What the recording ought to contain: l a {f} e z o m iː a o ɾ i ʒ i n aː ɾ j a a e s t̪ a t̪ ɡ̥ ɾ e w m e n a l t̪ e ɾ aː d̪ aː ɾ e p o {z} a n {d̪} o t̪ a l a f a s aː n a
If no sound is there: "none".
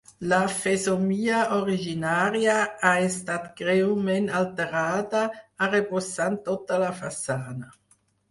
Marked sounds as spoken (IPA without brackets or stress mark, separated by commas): f, s, t̪